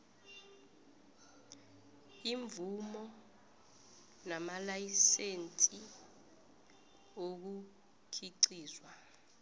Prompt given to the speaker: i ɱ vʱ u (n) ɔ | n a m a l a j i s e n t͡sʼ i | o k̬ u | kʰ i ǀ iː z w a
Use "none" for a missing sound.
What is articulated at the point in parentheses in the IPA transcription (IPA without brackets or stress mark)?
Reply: m